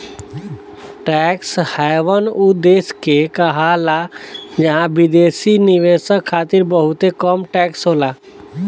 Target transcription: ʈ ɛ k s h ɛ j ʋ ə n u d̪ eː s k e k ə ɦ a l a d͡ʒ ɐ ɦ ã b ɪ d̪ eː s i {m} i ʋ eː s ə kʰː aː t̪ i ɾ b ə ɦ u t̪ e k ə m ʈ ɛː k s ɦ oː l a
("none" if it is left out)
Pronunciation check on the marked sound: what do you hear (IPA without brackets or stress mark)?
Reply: n